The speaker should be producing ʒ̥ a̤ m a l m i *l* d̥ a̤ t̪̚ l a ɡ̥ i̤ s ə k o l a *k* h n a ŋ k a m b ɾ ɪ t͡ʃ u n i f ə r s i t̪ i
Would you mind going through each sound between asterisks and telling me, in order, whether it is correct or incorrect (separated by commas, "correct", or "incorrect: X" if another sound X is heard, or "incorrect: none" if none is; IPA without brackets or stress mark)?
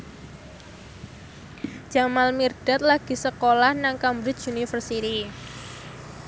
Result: incorrect: r, incorrect: none